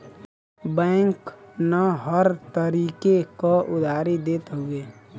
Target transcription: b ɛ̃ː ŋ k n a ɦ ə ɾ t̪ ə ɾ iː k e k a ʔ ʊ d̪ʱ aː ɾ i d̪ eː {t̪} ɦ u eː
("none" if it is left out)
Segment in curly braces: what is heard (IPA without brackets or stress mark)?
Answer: t̪